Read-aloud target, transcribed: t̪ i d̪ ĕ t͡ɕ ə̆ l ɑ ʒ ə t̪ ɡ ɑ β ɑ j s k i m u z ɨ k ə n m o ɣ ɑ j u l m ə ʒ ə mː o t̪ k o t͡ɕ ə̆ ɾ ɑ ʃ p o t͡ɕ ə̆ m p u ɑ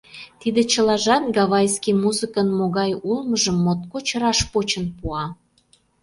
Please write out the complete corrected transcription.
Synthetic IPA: t̪ i d̪ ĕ t͡ɕ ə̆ l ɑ ʒ ɑ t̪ ɡ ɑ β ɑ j s k i m u z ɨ k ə n m o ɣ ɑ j u l m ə ʒ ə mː o t̪ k o t͡ɕ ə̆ ɾ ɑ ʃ p o t͡ɕ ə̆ n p u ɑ